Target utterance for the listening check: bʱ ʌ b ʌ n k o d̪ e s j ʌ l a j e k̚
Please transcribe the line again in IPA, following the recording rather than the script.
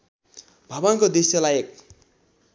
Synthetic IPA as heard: bʱ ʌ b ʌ n k o d̪ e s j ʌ l a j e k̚